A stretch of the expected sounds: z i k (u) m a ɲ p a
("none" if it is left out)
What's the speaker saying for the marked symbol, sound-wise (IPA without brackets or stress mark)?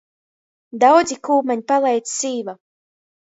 uː